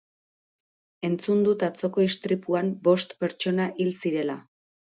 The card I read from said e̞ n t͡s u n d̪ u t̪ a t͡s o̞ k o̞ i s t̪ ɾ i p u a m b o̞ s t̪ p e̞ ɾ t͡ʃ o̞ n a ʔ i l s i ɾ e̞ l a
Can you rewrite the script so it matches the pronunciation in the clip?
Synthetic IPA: e̞ n t͡s u n d̪ u t̪ a t͡s o̞ k o̞ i s t̪ ɾ i p u a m b o̞ s t̪ p e̞ ɾ t͡ʃ o̞ n a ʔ i l s i ɾ e̞ l a